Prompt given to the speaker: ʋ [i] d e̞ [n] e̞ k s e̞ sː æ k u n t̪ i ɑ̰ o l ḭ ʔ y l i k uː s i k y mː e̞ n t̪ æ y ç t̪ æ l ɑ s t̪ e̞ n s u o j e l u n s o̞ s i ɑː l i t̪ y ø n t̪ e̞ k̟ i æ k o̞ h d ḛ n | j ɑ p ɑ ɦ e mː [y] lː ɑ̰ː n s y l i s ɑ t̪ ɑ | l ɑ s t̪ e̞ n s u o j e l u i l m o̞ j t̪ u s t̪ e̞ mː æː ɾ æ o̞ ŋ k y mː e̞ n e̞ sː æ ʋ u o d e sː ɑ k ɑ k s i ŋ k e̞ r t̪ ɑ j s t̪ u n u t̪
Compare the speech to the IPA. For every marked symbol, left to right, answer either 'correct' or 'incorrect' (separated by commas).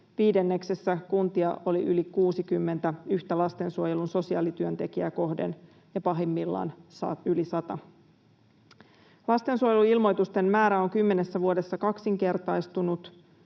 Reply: incorrect, incorrect, incorrect